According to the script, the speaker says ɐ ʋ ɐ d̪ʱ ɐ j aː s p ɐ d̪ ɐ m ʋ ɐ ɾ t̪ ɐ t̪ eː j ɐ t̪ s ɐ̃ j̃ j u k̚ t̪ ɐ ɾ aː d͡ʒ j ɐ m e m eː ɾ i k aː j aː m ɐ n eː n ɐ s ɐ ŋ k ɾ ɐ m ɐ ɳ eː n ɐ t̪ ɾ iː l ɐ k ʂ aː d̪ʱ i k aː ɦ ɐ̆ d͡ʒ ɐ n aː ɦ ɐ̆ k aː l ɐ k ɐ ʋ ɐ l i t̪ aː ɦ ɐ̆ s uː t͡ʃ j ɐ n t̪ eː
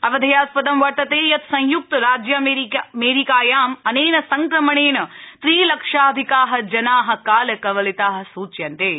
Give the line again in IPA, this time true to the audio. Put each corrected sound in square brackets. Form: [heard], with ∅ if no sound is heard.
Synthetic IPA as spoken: ɐ ʋ ɐ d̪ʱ ɐ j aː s p ɐ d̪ ɐ m ʋ ɐ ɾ t̪ ɐ t̪ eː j ɐ t̪ s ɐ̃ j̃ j u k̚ t̪ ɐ ɾ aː d͡ʒ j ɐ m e m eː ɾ i k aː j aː m ɐ n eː n ɐ s ɐ ŋ k ɾ ɐ m ɐ ɳ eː n ɐ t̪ ɾ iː l ɐ k ʂ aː d̪ʱ i k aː ɦ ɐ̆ d͡ʒ ɐ n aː ɦ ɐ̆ k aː l ɐ k ɐ ʋ ɐ l i t̪ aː ɦ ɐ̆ s uː t͡ʃ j ɐ n t̪ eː